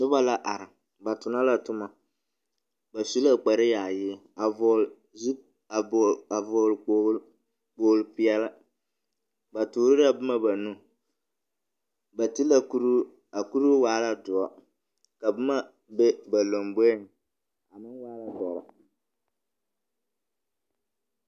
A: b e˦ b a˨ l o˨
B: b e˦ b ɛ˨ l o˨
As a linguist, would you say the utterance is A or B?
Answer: A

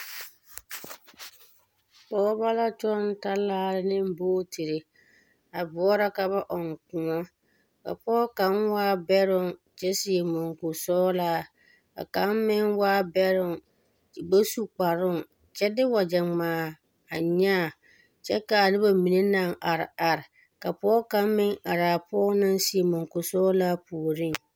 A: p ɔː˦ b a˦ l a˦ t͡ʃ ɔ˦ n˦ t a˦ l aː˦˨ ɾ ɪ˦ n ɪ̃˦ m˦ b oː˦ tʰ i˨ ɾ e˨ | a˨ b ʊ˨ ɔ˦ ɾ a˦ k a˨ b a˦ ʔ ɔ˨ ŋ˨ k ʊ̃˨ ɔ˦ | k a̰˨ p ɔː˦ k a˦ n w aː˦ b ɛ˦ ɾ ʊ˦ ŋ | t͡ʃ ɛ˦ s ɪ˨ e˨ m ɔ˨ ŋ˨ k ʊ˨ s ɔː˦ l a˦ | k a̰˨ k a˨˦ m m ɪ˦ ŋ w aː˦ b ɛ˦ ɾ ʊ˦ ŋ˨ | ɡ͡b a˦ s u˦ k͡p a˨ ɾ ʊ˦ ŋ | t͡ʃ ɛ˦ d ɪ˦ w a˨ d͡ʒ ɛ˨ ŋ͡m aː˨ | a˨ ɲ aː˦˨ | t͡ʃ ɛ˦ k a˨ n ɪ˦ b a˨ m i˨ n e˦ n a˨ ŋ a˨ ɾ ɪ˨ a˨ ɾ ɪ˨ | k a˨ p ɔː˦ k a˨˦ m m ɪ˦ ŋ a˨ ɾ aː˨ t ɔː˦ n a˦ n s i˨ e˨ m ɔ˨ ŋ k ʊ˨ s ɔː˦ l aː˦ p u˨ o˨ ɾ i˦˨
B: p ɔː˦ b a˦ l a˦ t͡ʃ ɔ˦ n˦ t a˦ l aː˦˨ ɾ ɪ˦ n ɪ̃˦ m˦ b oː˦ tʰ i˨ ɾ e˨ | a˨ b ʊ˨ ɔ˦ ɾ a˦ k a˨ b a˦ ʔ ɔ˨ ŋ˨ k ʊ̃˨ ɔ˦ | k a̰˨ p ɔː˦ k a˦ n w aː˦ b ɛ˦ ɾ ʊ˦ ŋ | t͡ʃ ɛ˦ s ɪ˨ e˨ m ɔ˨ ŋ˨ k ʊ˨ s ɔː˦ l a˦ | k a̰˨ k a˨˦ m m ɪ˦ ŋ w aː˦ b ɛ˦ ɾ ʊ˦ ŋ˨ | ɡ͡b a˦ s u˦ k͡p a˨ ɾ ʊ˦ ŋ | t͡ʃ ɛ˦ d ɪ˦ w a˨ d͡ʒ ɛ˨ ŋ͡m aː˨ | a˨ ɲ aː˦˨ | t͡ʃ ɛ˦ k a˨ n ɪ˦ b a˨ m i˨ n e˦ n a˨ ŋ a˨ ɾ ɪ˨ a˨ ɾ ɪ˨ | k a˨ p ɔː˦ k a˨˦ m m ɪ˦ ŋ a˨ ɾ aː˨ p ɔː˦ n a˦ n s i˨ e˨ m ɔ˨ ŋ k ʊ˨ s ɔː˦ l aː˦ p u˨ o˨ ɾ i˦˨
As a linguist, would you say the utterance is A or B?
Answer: B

